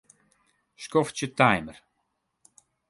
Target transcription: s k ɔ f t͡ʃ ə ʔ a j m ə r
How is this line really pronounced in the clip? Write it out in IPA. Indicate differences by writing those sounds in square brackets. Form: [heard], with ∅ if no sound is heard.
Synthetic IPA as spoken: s k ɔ f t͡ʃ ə [t] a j m ə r